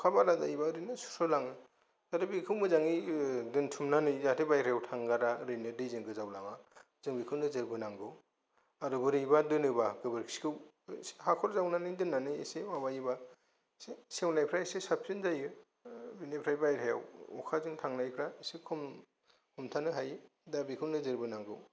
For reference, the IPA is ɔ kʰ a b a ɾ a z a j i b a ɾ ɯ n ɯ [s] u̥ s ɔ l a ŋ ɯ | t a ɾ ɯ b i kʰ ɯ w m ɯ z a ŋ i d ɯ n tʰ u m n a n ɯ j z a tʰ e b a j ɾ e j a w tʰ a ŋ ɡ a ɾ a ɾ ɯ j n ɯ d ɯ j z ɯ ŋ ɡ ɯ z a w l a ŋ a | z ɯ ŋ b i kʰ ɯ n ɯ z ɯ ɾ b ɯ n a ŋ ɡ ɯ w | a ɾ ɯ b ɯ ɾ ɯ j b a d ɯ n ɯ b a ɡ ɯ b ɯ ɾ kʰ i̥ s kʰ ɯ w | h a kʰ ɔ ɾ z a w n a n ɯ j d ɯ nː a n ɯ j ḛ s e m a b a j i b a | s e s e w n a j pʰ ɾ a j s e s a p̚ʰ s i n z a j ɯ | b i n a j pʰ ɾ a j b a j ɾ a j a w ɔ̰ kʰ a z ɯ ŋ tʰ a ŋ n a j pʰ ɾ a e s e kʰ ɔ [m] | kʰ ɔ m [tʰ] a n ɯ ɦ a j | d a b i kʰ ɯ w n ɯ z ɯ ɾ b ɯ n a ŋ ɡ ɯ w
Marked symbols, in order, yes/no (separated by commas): yes, yes, yes